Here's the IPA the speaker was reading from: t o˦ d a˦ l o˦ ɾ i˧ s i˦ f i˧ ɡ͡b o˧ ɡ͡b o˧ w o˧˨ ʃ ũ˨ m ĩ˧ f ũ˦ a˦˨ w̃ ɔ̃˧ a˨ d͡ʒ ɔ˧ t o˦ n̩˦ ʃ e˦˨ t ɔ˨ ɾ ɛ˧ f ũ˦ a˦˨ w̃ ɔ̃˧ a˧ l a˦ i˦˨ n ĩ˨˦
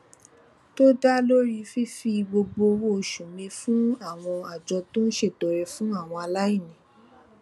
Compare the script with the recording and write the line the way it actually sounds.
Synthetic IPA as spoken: t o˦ d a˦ l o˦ ɾ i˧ f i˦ f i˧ ɡ͡b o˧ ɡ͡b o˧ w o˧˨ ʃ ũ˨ m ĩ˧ f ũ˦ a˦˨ w̃ ɔ̃˧ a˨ d͡ʒ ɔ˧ t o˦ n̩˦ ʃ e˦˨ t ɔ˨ ɾ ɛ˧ f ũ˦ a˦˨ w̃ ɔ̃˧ a˧ l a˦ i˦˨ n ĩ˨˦

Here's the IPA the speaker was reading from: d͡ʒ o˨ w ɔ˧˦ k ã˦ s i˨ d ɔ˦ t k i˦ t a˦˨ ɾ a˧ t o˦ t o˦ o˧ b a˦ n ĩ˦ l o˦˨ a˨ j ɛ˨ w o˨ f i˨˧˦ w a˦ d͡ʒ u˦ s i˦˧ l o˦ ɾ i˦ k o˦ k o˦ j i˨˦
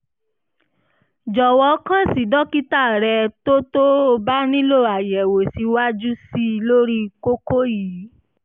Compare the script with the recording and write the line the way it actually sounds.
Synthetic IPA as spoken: d͡ʒ ɔ˨ w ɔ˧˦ k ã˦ s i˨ d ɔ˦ k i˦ t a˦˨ ɾ ɛ˧ t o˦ t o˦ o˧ b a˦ n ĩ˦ l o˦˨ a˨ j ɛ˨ w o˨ s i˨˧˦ w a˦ d͡ʒ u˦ s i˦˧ l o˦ ɾ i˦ k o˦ k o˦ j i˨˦

